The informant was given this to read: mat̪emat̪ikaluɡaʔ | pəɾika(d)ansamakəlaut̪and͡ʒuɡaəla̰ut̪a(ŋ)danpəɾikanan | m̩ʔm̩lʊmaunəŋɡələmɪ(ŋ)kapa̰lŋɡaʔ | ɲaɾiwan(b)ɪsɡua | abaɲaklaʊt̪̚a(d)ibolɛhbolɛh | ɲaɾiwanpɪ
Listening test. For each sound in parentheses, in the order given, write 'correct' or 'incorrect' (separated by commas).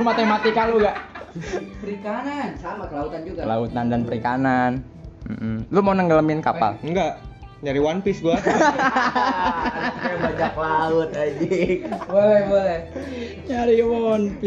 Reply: incorrect, incorrect, incorrect, incorrect, incorrect